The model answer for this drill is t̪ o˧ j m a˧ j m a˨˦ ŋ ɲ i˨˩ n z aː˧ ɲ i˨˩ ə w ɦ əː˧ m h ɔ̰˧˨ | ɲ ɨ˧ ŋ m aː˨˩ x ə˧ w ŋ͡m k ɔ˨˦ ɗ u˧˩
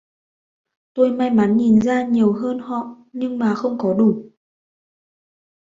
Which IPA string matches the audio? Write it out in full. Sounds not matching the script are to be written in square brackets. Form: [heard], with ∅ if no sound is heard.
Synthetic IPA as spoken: t̪ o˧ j m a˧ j m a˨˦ [n] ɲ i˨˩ n z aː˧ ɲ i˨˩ ə w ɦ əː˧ [n] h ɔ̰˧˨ | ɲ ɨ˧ ŋ m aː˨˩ x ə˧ w ŋ͡m k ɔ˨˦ ɗ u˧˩